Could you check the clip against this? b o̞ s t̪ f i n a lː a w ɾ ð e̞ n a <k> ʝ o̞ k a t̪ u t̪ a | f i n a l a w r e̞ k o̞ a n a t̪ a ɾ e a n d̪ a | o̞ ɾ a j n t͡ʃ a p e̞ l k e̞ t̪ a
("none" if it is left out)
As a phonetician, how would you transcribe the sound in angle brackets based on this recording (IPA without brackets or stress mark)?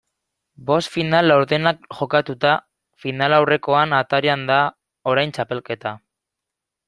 k